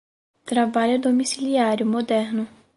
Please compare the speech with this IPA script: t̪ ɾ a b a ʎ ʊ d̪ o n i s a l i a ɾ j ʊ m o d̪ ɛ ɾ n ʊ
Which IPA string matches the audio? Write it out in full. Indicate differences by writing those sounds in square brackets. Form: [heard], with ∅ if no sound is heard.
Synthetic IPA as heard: t̪ ɾ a b a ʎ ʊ d̪ o [m] i s [i] l i a ɾ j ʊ m o d̪ ɛ ɾ n ʊ